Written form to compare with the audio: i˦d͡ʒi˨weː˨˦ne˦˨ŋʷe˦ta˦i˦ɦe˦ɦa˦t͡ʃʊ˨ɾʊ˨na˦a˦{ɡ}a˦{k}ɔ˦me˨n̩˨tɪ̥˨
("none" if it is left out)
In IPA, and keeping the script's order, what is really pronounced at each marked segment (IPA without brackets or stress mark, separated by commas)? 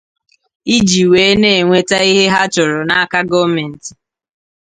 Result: k, ɡ